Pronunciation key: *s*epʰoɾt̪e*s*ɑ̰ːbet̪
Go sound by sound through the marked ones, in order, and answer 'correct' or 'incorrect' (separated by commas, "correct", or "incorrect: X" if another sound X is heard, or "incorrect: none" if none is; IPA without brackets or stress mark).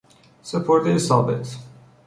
correct, correct